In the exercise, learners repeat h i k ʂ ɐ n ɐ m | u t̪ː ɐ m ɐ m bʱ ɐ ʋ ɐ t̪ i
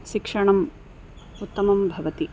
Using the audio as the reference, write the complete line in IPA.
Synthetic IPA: ʃ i k ʂ ɐ ɳ ɐ m | u t̪ː ɐ m ɐ m bʱ ɐ ʋ ɐ t̪ i